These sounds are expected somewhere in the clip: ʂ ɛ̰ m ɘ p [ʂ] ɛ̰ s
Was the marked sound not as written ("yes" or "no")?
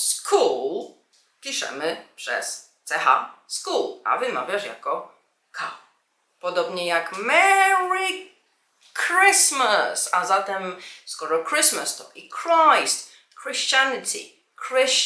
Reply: no